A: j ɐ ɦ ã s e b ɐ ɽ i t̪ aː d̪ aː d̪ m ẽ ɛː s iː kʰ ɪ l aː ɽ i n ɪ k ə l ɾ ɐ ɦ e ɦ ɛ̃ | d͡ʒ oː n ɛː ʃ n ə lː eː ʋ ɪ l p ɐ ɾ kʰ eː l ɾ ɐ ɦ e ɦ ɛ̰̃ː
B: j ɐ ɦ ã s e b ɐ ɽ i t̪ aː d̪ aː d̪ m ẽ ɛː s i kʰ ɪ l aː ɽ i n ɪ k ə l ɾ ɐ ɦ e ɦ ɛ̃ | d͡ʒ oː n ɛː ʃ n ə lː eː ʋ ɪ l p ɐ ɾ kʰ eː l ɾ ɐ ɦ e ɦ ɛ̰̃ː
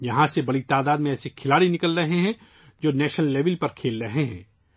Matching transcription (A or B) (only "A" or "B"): B